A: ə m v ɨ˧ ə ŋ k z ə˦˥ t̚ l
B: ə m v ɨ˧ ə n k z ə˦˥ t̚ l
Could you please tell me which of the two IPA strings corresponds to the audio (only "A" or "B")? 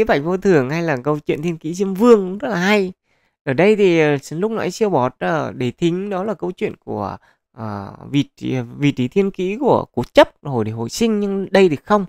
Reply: A